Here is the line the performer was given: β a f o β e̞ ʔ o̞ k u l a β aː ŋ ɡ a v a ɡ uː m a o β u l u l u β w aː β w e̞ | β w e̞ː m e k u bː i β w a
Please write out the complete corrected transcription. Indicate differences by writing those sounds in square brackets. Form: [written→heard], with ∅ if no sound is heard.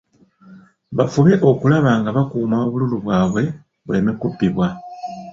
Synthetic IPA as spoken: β a f [o→u] β e̞ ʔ o̞ k u l a β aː ŋ ɡ a [v→β] a [ɡ→k] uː m a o β u l u l u β w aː β w e̞ | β w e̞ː m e k u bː i β w a